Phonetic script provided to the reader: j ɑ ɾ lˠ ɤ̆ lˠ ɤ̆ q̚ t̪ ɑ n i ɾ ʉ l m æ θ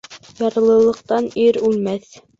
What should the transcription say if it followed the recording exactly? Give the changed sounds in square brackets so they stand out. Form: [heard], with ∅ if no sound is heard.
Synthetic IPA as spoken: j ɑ ɾ lˠ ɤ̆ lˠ ɤ̆ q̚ t̪ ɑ n i ɾ ʉ l m æ θ